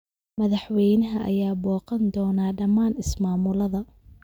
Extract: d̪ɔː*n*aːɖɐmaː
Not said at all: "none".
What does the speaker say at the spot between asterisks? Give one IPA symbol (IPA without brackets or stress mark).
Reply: n